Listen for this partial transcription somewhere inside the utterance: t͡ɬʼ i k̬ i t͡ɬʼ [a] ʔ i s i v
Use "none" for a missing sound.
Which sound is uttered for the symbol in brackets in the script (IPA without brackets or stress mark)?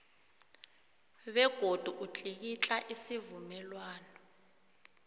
a